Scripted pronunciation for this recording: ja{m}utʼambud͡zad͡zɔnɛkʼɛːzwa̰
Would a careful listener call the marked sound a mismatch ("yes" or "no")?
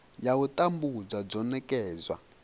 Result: yes